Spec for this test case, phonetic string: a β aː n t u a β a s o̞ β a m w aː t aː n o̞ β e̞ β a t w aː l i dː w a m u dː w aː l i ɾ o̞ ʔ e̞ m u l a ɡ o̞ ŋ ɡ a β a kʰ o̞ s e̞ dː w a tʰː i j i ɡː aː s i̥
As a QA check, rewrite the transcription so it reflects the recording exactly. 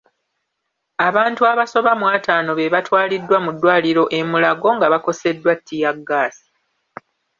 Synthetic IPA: a β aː n t u a β a s o̞ β a m w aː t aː n o̞ β e̞ β a t w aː l i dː w a m u dː w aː l i ɾ o̞ ʔ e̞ m u l a ɡ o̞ ŋ ɡ a β a k o̞ s e̞ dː w a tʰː i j a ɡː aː s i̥